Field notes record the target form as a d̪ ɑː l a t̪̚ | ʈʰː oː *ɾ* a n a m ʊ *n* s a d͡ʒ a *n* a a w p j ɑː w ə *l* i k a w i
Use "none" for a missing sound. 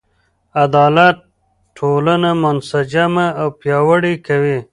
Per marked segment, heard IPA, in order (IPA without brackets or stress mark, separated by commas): l, n, m, ɽ